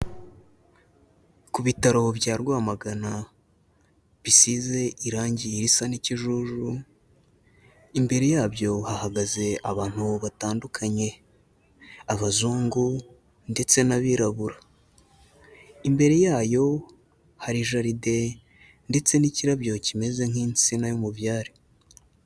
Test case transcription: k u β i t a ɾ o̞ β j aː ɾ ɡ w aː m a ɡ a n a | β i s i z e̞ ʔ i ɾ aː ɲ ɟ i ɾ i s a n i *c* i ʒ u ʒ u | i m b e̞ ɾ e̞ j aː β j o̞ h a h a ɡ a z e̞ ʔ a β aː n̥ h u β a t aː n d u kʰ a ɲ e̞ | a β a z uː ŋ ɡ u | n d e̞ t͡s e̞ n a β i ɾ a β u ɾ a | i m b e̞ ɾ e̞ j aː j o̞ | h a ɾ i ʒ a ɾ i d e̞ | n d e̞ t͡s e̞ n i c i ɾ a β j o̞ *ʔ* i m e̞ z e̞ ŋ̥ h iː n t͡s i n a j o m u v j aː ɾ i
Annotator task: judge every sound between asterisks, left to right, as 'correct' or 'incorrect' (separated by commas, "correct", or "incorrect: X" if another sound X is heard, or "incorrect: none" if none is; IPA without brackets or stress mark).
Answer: correct, incorrect: c